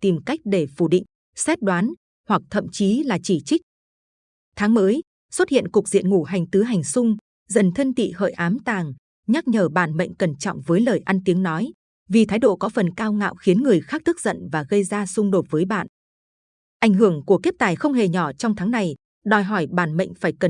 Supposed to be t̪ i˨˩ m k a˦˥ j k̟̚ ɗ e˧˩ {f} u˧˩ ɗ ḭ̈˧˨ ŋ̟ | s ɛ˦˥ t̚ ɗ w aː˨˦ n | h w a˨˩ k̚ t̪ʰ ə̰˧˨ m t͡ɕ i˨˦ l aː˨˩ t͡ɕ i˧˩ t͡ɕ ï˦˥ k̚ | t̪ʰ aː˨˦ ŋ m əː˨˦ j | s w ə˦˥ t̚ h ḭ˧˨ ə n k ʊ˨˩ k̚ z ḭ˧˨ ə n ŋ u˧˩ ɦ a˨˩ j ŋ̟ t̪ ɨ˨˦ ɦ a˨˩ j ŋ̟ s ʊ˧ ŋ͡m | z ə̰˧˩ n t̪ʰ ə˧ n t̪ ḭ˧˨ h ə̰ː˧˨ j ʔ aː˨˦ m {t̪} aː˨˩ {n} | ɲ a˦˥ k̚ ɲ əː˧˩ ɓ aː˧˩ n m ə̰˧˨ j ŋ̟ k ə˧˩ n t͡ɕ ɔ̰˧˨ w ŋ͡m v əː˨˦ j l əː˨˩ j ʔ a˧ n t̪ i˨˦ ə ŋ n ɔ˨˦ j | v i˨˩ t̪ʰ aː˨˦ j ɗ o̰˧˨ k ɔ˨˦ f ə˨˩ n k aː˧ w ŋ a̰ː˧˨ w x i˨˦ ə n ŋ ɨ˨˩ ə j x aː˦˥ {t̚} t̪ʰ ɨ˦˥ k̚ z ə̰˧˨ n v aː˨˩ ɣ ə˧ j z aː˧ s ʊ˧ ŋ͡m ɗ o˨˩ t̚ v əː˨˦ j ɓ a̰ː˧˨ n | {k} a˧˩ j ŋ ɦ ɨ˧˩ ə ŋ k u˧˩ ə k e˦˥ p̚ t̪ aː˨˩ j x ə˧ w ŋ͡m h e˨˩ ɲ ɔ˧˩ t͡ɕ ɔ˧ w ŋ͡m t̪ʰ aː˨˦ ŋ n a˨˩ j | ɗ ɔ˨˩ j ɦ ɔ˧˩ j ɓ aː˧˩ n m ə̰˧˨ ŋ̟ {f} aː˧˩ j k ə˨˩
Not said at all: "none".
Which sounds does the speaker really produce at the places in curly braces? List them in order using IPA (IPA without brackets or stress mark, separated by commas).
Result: f, t̪, ŋ, k̚, ʔ, f